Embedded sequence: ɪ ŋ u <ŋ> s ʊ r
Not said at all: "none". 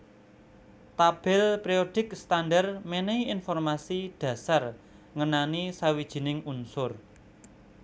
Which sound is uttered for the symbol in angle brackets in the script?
n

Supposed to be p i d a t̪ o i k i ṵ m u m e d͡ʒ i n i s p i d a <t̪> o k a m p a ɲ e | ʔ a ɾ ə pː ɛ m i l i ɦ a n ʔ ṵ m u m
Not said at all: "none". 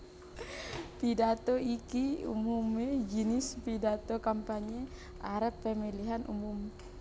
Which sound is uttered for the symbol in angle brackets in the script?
t̪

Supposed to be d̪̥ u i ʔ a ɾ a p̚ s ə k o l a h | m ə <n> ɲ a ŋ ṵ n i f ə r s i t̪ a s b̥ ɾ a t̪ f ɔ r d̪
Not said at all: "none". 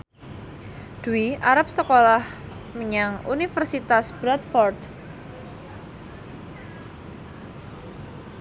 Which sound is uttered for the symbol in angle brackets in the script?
none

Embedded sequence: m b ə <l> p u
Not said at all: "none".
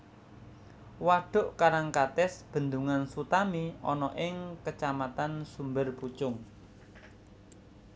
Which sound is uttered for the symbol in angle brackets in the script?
r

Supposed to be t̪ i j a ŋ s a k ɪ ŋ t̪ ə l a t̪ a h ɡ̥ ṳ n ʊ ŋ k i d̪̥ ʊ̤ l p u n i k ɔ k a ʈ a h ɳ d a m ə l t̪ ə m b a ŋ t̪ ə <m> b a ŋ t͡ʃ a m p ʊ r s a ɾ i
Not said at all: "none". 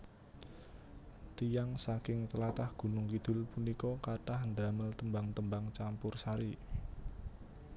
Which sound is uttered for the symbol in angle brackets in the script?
m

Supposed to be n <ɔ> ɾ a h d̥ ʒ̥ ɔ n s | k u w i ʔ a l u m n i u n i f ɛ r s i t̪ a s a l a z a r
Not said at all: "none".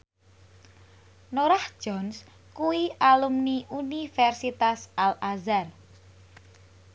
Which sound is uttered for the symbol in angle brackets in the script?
o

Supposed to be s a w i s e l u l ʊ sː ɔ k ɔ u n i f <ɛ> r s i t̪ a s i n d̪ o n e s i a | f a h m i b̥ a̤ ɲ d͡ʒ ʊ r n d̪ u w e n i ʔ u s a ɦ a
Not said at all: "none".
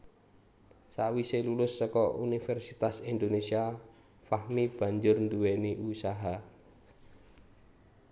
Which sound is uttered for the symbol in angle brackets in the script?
ɛ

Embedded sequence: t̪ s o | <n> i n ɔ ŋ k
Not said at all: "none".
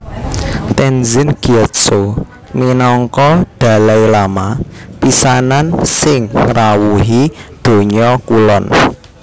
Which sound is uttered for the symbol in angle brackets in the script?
m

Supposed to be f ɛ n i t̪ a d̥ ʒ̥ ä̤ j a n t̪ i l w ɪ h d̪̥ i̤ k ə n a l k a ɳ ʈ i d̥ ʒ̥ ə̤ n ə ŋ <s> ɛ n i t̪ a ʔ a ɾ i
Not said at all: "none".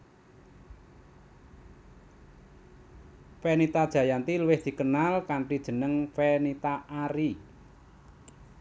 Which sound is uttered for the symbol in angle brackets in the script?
f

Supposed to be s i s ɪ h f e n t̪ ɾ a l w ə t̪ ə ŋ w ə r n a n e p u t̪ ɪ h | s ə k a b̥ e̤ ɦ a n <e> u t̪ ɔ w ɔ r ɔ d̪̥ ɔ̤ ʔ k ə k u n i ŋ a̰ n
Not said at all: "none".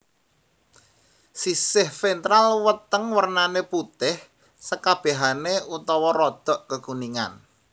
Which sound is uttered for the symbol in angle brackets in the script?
e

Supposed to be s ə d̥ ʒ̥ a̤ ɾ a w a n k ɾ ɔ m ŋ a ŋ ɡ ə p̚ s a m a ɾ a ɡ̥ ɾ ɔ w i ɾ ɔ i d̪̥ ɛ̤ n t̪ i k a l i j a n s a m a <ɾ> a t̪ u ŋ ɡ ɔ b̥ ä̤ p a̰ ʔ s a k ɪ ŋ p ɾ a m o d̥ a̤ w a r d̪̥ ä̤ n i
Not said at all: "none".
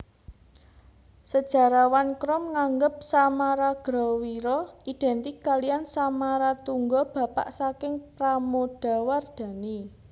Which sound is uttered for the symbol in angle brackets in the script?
ɾ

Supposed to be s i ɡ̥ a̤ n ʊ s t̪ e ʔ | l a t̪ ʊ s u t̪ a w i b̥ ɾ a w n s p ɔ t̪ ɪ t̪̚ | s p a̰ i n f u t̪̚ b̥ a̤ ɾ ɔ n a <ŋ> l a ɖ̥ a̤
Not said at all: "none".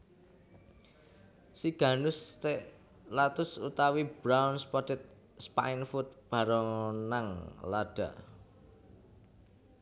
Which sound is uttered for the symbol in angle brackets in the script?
ŋ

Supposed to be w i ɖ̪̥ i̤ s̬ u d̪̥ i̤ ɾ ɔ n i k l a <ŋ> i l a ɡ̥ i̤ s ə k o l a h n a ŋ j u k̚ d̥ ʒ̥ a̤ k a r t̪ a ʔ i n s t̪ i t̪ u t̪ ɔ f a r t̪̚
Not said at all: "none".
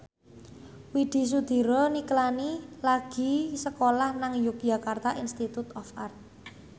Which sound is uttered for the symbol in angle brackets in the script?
n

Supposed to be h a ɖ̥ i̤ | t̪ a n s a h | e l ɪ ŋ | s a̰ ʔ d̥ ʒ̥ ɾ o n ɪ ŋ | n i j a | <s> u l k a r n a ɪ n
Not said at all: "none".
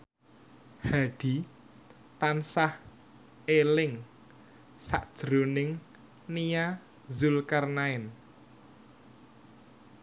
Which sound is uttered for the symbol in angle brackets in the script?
z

